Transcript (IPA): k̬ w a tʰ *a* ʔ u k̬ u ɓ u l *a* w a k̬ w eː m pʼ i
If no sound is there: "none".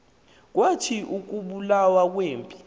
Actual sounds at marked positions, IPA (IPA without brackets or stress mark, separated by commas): i, a